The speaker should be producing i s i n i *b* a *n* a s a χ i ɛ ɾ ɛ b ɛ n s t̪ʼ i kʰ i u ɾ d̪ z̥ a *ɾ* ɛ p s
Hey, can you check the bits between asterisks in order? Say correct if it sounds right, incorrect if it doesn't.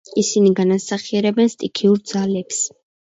incorrect, correct, incorrect

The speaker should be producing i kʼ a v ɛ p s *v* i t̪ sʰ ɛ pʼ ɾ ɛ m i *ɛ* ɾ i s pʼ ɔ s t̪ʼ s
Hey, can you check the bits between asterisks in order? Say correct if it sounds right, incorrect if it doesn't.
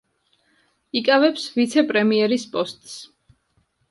correct, correct

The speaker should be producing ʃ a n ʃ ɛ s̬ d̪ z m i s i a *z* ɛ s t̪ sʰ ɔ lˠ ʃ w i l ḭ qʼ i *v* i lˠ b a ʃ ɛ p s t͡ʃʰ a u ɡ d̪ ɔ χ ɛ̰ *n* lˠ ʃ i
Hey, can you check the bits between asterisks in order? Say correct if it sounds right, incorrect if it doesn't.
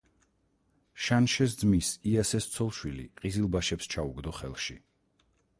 incorrect, incorrect, incorrect

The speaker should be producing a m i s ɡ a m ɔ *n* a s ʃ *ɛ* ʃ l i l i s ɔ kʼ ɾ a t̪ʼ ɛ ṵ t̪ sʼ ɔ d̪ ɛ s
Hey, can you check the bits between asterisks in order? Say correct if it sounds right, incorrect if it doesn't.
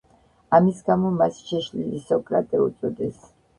incorrect, correct

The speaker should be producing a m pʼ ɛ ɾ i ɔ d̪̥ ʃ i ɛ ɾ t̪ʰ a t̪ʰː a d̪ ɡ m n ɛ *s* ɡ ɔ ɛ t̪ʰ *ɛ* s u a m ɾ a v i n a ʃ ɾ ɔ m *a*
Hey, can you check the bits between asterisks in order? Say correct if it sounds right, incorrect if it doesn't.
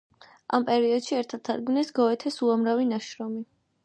correct, correct, incorrect

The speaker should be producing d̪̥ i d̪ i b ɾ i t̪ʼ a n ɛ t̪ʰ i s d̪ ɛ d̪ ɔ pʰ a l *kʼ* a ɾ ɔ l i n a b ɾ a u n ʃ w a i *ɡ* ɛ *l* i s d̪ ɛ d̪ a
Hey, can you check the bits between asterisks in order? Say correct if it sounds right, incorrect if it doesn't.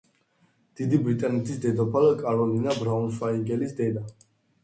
correct, correct, correct

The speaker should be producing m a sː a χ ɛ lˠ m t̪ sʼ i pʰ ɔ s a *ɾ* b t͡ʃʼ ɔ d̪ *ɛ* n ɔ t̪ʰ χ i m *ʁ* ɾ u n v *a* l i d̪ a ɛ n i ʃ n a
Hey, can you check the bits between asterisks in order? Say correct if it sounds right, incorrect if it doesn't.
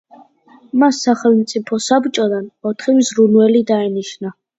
incorrect, incorrect, incorrect, incorrect

